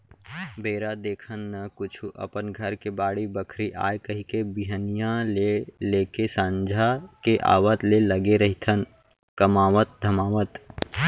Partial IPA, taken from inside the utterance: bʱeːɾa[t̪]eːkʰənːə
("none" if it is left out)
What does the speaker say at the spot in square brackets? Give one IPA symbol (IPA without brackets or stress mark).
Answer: d̪